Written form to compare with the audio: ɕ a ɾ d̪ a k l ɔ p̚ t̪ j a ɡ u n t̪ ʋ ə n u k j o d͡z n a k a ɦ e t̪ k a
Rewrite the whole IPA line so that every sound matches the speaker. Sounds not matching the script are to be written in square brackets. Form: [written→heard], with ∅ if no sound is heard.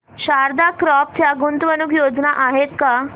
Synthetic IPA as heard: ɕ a ɾ d̪ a k [l→ɾ] ɔ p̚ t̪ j a ɡ u n t̪ ʋ ə n u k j o d͡z n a [k→ʔ] a ɦ e t̪ k a